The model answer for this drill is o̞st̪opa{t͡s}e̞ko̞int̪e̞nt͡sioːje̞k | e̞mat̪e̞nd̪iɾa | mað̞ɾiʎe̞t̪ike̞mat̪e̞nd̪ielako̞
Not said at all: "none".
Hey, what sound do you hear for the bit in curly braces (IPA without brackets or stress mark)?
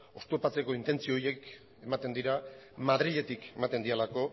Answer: t͡s